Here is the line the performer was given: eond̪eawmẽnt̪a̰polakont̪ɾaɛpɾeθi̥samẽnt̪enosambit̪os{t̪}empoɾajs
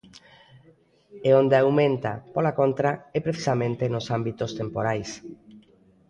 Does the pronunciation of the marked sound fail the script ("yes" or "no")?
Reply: no